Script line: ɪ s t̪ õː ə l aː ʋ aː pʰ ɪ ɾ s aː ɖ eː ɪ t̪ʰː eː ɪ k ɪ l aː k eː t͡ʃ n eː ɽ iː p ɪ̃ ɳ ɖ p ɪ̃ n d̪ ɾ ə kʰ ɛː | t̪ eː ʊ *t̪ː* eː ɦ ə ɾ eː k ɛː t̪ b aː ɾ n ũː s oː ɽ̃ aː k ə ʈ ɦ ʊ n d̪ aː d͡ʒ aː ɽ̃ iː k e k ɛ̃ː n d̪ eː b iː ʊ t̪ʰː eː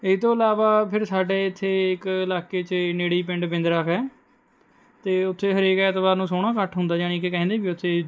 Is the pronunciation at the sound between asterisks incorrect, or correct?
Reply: incorrect